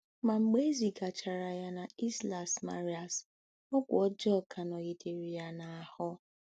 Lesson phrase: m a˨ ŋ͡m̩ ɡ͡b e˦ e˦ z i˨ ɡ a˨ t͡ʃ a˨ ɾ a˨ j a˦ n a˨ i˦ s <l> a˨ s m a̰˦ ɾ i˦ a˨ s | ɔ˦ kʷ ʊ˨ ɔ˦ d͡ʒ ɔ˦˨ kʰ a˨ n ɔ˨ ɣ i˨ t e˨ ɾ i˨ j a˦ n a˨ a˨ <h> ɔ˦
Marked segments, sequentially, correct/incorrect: correct, correct

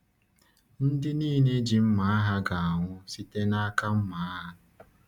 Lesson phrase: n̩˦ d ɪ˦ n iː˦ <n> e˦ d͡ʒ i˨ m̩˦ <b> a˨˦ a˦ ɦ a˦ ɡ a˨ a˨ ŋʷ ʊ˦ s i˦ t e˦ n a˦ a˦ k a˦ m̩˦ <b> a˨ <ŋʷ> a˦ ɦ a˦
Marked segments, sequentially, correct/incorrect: correct, incorrect, incorrect, incorrect

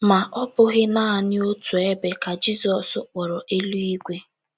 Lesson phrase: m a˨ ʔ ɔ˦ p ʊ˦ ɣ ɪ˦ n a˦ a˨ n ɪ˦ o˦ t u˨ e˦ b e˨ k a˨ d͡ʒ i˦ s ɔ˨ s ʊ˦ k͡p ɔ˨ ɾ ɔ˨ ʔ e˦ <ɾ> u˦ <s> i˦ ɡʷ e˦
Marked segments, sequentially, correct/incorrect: incorrect, incorrect

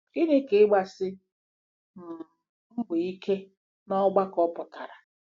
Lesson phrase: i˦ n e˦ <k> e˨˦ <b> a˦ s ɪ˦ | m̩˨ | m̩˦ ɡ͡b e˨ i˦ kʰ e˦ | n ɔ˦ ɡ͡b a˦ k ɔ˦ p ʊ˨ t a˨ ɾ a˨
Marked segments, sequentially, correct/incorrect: correct, incorrect

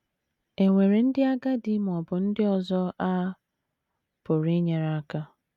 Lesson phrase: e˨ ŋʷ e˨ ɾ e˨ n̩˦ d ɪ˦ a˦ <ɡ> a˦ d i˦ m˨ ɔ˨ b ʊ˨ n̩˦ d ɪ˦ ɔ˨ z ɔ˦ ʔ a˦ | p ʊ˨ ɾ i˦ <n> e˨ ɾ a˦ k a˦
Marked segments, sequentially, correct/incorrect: correct, incorrect

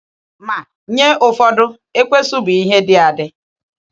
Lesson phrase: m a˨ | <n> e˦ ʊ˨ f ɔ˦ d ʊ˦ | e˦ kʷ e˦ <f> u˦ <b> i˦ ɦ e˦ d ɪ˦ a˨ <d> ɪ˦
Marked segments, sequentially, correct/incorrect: incorrect, incorrect, correct, correct

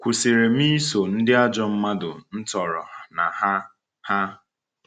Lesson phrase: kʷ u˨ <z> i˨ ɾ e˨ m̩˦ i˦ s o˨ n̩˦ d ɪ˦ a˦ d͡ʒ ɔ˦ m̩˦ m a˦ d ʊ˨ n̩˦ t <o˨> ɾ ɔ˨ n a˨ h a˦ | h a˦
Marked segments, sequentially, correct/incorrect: incorrect, incorrect

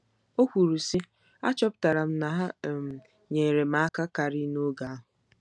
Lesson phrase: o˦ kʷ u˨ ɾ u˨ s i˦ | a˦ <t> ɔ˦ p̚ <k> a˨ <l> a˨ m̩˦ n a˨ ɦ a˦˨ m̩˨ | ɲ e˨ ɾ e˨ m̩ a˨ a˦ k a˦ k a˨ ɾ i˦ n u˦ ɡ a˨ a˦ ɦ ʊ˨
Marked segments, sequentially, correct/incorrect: incorrect, incorrect, incorrect

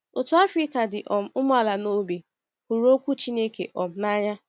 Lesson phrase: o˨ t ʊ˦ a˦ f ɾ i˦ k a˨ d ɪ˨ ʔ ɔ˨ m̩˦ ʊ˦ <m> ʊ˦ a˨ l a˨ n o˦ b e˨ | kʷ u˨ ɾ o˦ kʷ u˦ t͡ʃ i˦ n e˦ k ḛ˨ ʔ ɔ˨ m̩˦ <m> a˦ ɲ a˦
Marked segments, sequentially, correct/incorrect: correct, incorrect

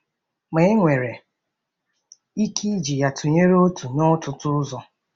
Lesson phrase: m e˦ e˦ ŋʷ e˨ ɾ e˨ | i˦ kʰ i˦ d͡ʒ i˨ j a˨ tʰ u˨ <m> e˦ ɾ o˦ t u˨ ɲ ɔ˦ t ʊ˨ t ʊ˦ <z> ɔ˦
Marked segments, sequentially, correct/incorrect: incorrect, correct

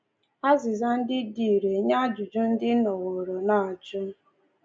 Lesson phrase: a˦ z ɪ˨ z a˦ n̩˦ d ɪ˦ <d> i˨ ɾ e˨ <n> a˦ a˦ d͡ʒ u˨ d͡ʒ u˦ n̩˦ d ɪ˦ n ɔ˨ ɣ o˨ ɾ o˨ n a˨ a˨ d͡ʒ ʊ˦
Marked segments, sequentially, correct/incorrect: correct, incorrect

